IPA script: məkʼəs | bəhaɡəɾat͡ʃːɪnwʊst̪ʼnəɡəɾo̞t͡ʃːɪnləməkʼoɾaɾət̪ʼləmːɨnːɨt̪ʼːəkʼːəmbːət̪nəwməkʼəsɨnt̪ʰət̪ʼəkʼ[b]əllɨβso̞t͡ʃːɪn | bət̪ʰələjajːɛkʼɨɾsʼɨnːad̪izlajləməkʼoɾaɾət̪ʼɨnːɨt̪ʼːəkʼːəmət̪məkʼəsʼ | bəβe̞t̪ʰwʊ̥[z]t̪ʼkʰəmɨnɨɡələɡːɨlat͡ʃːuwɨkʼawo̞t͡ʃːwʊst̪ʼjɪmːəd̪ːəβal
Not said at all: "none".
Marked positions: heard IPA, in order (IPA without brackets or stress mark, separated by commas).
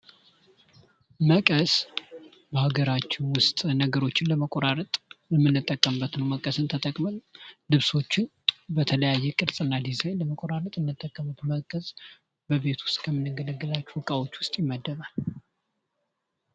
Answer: m, s